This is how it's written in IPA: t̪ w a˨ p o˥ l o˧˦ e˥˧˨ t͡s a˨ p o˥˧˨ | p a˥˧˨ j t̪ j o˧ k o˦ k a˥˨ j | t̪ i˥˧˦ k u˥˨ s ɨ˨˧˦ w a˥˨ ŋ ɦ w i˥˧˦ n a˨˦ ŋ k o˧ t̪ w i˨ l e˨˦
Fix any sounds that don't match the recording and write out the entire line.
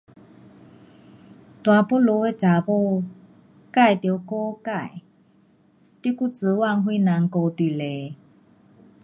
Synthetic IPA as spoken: t̪ w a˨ p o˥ l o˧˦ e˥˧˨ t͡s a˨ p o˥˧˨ | k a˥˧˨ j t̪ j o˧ k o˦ k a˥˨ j | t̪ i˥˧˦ k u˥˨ t͡s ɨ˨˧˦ w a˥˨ ŋ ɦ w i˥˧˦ n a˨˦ ŋ k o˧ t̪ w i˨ l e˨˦